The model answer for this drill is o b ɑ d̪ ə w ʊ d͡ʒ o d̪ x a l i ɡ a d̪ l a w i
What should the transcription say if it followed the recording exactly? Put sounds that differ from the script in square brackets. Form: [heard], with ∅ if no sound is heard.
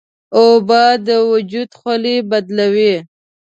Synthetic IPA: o b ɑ d̪ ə w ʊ d͡ʒ [u] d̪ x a l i [b] a d̪ l a w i